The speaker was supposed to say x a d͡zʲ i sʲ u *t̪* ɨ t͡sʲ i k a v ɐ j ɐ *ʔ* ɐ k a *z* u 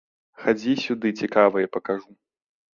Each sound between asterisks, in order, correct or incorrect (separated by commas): incorrect, incorrect, incorrect